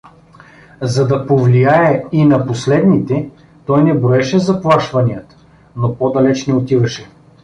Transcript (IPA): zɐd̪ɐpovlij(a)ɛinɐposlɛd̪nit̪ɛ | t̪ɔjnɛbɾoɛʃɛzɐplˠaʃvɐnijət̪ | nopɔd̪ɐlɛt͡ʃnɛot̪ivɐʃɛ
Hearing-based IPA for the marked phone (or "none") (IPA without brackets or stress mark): a